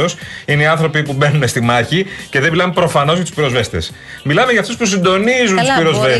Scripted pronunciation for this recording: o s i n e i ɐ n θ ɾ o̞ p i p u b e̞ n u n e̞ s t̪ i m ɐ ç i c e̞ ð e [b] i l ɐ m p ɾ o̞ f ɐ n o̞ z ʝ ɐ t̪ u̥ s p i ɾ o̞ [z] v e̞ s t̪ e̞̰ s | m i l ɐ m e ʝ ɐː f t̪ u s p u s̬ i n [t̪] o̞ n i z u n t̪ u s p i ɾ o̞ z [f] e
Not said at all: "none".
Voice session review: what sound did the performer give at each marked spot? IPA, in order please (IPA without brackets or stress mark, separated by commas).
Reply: m, z, d̪, v